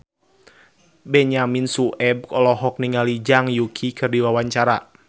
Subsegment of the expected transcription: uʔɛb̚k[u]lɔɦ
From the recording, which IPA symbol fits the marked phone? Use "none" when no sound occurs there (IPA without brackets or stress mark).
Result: ɔ